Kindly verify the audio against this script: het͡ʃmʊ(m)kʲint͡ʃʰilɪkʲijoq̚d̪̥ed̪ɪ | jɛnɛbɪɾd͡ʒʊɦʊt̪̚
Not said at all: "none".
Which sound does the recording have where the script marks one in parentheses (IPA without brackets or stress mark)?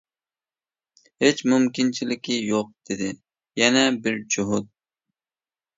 m